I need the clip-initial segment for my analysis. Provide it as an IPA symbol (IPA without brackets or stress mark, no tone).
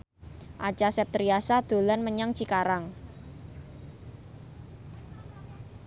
ʔ